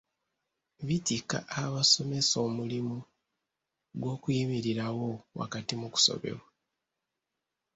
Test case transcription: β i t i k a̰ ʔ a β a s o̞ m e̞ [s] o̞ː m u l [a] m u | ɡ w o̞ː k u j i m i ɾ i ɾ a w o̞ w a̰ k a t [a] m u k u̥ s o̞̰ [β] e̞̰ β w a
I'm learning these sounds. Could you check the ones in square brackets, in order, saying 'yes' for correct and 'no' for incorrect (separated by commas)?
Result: yes, no, no, yes